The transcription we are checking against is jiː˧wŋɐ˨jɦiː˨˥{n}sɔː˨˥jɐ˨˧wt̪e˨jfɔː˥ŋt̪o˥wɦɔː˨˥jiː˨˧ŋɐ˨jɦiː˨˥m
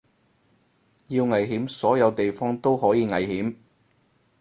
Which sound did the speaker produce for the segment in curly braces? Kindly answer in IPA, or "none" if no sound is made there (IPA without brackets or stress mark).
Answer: m